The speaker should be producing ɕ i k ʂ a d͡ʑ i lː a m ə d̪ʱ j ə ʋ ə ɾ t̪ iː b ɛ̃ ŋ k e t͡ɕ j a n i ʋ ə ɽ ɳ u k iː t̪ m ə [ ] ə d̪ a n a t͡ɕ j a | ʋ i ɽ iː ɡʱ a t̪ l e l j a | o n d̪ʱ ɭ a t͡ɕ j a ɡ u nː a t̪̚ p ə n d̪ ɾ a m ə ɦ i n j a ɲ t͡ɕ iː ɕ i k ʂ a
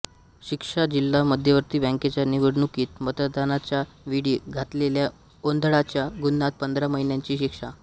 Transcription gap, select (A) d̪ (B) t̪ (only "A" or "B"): B